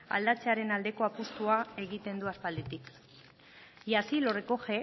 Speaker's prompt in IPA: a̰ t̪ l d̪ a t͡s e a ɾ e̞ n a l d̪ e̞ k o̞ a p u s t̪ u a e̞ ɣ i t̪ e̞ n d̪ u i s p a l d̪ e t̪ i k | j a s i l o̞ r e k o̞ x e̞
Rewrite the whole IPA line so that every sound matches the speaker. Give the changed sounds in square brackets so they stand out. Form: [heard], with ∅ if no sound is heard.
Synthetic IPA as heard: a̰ [∅] l d̪ a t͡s e a ɾ e̞ n a l d̪ e̞ k o̞ a p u s t̪ u a e̞ ɣ i t̪ e̞ n d̪ u [a] s p a l d̪ e t̪ i k | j a s i l o̞ r e k o̞ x e̞